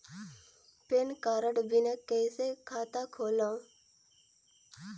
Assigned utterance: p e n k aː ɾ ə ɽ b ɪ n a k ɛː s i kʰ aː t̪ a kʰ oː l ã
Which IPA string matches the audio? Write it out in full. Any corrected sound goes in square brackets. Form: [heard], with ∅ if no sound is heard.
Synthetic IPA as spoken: p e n k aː ɾ ə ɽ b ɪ n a k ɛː s [e] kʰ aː t̪ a kʰ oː l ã

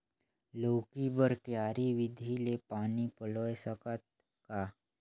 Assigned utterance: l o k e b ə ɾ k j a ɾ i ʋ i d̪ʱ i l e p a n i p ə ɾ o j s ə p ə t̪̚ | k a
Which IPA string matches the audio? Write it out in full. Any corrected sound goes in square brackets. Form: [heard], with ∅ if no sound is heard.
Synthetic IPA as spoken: l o k [i] b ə ɾ k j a ɾ i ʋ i d̪ʱ i l e p a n i p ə [l] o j s ə [k] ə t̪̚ | k a

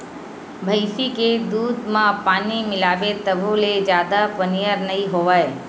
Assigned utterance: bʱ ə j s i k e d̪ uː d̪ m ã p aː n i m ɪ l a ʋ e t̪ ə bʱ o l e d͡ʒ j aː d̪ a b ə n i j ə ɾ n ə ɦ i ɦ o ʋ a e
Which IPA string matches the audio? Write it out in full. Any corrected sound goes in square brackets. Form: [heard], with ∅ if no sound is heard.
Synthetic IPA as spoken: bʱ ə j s i k e d̪ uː d̪ m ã p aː n i m ɪ l a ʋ e t̪ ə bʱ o l e d͡ʒ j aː d̪ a [p] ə n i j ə ɾ n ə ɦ i ɦ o ʋ a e

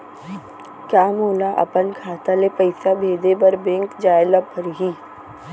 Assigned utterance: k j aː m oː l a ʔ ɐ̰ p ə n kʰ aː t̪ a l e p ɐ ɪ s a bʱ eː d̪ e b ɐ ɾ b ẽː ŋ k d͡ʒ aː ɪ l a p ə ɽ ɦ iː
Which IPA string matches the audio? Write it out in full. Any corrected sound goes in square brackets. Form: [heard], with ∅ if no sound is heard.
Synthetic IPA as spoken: k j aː m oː l a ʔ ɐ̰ p ə n kʰ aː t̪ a l e p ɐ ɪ s a bʱ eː d̪ e b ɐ ɾ b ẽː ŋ k d͡ʒ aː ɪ l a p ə [ɾ] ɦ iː

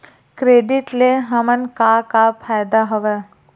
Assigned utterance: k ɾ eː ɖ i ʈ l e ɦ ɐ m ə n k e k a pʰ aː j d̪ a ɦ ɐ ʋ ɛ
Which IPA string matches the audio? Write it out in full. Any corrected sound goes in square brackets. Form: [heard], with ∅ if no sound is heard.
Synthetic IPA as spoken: k ɾ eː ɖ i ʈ l e ɦ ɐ m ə n k [a] k a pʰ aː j d̪ a ɦ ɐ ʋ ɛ

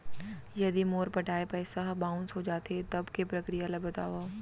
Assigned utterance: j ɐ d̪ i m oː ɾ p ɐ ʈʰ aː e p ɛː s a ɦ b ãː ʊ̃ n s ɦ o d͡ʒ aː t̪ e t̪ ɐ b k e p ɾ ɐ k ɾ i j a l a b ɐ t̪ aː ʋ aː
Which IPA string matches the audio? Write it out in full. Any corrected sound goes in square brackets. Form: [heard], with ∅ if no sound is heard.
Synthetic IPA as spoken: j ɐ d̪ i m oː ɾ p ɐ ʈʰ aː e p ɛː s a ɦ b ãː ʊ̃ n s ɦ o d͡ʒ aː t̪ e t̪ ɐ b k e p ɾ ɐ k ɾ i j a l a b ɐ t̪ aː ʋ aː

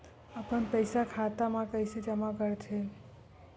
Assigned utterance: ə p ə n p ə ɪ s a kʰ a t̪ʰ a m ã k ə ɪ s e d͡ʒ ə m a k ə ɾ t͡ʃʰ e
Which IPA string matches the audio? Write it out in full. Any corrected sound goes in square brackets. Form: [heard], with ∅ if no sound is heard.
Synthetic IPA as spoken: ə p ə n p ə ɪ s a kʰ a [t̪] a m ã k ə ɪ s e d͡ʒ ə m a k ə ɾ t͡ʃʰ e

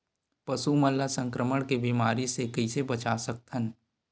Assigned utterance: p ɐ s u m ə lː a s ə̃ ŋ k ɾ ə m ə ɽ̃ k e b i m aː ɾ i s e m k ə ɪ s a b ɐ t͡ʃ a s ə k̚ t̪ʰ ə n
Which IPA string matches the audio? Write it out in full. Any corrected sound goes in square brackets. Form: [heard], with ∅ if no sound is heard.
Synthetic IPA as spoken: p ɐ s u m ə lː a s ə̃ ŋ k ɾ ə m ə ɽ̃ k e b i m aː ɾ i s e [∅] k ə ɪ s [e] b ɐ t͡ʃ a s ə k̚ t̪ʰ ə n

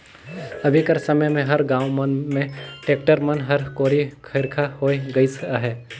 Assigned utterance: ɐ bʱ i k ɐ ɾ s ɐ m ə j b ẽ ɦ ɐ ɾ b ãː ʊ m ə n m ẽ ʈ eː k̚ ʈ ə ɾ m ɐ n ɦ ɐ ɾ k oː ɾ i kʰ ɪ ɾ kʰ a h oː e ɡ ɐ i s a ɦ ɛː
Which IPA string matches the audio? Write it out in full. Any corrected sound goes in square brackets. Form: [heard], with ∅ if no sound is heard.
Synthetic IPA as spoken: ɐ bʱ i k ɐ ɾ s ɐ m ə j [m] ẽ ɦ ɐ ɾ [ɡ] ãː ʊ m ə n m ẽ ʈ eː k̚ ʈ ə ɾ m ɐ n ɦ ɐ ɾ k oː ɾ i kʰ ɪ ɾ kʰ a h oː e ɡ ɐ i s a ɦ ɛː

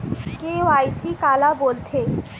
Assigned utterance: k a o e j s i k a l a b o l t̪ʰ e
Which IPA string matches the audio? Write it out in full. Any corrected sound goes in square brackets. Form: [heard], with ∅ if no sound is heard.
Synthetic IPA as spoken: k [e] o [a] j s i k a l a b o l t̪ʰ e

